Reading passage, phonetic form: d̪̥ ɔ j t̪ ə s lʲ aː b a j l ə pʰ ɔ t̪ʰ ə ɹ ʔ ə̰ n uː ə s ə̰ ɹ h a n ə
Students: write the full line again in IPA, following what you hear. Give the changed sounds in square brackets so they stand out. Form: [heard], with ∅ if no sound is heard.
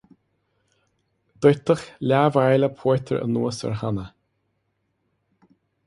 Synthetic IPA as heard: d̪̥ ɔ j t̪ ə [x] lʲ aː [v] a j l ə pʰ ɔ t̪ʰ ə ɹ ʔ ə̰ n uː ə s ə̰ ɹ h a n ə